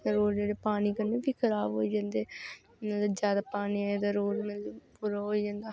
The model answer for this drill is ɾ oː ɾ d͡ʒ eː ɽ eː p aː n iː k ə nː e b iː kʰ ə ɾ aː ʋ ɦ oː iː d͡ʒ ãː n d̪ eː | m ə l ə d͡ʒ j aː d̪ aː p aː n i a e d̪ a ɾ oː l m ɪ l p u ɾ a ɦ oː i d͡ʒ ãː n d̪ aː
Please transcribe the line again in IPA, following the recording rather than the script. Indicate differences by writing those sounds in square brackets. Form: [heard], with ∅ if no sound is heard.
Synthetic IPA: ɾ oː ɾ d͡ʒ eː ɽ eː p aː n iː k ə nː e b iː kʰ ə ɾ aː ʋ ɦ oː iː d͡ʒ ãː n d̪ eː | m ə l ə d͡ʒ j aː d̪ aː p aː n i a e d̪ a ɾ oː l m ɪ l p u ɾ a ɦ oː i d͡ʒ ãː n d̪ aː